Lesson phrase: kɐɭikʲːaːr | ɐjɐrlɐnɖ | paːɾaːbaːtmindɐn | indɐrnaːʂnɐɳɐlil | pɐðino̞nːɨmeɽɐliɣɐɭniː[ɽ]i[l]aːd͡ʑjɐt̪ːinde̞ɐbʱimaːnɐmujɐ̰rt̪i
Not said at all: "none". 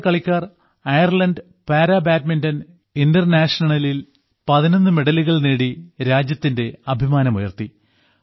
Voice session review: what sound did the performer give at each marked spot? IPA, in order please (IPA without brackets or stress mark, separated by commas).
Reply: ɽ, ɾ